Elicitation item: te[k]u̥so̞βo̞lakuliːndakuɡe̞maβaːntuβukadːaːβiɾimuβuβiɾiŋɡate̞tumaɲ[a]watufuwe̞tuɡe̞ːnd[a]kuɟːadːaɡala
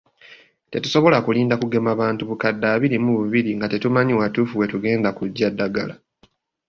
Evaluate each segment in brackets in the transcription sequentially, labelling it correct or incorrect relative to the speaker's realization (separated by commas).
incorrect, incorrect, correct